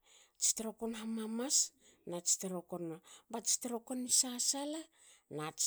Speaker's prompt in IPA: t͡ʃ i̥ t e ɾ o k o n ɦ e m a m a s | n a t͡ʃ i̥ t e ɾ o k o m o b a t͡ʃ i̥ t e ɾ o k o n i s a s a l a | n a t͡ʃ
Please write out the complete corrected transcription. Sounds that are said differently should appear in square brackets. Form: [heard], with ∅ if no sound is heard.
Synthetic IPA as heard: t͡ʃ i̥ t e ɾ o k o n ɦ [a] m a m a s | n a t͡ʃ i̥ t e ɾ o k o [n] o b a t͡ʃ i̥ t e ɾ o k o n i s a s a l a | n a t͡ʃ